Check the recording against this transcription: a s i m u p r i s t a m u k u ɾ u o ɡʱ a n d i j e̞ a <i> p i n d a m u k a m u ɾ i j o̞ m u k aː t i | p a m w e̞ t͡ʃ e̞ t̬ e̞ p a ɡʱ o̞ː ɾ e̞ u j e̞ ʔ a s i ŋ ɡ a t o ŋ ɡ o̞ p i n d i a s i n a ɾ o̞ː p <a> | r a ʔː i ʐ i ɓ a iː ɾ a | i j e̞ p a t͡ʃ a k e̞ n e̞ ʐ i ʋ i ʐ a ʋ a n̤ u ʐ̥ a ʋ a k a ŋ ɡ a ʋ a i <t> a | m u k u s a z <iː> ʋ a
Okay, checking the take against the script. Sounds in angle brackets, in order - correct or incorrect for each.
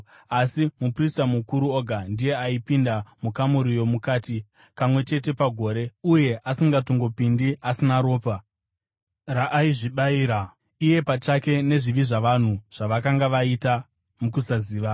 correct, correct, correct, correct

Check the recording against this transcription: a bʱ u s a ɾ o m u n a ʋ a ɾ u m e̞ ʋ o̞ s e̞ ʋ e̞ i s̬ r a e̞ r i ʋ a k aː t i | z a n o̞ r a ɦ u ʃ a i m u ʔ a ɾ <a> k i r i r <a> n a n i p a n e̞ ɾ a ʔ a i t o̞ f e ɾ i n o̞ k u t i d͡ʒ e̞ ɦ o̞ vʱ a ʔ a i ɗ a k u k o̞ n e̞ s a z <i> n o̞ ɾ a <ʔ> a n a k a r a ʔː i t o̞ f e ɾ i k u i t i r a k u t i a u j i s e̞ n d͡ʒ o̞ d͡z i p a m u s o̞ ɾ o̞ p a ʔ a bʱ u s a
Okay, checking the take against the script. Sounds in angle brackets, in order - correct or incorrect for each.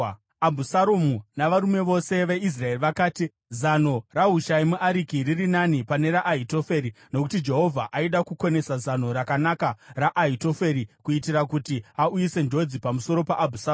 incorrect, incorrect, incorrect, incorrect

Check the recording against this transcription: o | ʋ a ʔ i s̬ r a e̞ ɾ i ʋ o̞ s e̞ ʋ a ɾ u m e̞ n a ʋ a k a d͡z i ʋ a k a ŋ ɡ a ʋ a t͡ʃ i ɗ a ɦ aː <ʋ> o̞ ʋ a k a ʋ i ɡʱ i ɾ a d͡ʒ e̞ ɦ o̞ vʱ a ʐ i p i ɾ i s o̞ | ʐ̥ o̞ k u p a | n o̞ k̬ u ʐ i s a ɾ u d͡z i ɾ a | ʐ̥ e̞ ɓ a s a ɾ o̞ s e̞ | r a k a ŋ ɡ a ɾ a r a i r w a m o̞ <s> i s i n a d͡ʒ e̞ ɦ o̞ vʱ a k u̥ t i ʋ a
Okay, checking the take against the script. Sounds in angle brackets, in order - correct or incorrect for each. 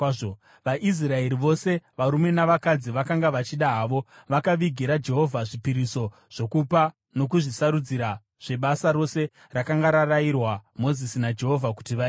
correct, incorrect

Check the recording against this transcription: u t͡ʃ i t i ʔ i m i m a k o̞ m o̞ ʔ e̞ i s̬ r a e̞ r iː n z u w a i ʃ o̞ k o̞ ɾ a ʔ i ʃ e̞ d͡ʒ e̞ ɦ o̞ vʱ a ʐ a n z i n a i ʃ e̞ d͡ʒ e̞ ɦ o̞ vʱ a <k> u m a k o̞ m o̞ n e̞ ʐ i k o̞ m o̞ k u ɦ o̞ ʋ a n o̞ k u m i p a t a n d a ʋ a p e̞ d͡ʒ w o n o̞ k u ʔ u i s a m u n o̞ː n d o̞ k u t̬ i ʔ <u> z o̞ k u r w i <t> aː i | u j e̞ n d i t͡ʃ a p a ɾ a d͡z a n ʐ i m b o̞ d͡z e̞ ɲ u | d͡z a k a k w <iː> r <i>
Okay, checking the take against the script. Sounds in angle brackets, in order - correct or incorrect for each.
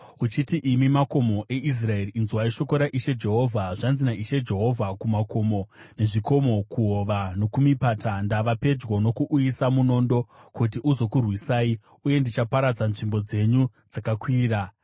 correct, correct, incorrect, correct, incorrect

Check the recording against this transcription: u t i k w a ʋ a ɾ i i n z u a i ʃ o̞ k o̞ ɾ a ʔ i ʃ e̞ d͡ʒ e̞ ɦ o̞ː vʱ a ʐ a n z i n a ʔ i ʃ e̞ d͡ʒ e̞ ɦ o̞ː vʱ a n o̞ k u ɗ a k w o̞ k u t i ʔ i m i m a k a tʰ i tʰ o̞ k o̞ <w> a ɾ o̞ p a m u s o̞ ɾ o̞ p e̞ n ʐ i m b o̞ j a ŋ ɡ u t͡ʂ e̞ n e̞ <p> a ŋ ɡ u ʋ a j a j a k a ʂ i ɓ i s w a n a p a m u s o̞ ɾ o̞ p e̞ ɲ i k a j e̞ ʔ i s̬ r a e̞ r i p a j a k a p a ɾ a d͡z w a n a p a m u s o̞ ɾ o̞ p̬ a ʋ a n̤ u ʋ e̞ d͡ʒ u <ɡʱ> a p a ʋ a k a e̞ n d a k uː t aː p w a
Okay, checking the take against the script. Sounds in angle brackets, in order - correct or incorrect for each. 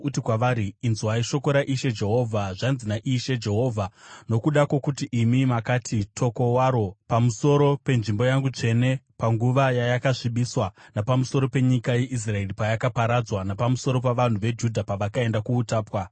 correct, correct, incorrect

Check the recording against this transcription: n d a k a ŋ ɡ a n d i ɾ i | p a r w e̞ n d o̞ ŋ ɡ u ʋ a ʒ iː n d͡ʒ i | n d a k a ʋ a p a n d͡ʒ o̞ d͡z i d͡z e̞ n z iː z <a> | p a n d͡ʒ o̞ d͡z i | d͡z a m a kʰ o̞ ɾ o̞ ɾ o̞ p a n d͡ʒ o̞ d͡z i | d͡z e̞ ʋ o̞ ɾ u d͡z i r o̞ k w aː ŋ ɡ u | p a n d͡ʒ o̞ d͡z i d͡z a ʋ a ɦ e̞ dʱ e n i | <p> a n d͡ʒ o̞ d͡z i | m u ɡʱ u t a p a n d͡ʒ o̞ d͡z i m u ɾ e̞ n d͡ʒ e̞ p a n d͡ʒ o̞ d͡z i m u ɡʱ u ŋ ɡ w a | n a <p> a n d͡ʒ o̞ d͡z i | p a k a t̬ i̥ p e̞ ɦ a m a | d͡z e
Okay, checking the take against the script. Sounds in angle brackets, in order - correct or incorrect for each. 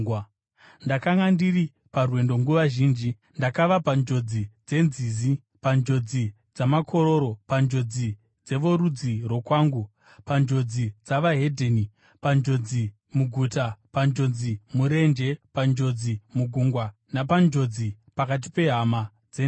incorrect, correct, correct

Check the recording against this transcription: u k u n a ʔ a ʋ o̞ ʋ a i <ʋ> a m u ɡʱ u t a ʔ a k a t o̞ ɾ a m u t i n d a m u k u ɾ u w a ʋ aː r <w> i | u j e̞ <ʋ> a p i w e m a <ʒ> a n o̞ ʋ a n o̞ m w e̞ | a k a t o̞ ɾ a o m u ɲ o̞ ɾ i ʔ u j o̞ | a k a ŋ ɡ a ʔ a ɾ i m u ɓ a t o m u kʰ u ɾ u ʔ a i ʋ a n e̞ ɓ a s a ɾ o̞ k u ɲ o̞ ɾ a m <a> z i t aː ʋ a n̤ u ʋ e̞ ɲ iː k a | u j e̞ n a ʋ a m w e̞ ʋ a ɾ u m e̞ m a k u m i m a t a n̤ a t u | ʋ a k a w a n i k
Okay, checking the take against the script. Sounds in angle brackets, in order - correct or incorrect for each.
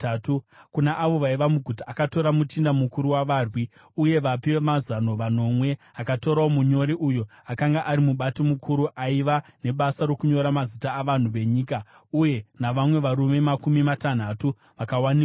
correct, correct, correct, incorrect, correct

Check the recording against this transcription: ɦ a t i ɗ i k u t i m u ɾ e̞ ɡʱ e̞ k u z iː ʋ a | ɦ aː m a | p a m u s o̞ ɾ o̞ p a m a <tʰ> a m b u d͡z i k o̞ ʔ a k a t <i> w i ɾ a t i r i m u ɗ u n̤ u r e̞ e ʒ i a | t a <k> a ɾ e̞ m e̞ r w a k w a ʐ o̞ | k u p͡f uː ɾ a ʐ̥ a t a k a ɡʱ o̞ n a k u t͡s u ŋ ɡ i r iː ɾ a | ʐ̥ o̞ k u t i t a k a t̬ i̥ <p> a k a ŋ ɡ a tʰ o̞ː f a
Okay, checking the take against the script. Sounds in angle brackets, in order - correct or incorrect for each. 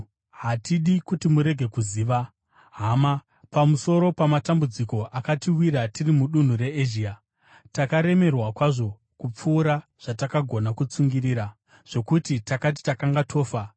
incorrect, correct, correct, incorrect

